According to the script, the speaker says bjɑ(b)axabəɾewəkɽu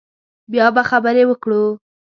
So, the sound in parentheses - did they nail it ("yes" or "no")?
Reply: yes